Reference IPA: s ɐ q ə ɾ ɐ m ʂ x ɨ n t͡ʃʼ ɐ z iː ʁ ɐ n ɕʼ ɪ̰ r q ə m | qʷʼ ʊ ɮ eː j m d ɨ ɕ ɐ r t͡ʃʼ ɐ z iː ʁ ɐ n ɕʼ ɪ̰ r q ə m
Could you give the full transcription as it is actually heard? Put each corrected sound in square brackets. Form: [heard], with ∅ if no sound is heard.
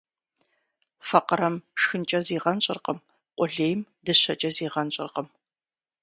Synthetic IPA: [f] ɐ q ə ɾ ɐ m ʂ x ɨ n t͡ʃʼ ɐ z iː ʁ ɐ n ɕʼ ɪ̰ r q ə m | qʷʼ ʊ ɮ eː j m d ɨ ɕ ɐ [∅] t͡ʃʼ ɐ z iː ʁ ɐ n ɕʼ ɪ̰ r q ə m